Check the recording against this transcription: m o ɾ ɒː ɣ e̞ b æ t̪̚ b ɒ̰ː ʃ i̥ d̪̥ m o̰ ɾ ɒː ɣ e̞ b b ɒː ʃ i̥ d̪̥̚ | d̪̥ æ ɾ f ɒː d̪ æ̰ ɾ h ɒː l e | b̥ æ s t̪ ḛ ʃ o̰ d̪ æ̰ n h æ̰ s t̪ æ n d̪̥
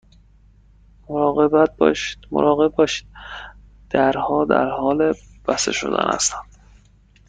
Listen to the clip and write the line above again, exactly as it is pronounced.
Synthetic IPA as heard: m o ɾ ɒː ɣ e̞ b æ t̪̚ b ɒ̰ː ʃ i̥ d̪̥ m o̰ ɾ ɒː ɣ e̞ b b ɒː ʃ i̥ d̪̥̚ | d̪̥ æ ɾ h ɒː d̪ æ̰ ɾ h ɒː l e | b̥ æ s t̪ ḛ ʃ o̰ d̪ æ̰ n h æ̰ s t̪ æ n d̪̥